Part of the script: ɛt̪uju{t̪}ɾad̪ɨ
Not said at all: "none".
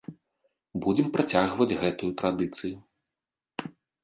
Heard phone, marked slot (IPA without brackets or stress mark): t̪